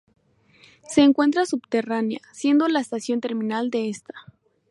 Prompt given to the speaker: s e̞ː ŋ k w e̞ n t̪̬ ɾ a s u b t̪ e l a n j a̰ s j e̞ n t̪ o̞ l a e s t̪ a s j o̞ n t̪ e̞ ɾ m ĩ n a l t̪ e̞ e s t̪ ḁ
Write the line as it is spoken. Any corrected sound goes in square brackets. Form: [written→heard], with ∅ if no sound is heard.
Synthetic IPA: s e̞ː ŋ k w e̞ n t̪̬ ɾ a s u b t̪ e [l→r] a n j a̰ s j e̞ n [t̪→d̪] o̞ l a e s t̪ a s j o̞ n t̪ e̞ ɾ m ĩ n a l [t̪→d̪] e̞ e s t̪ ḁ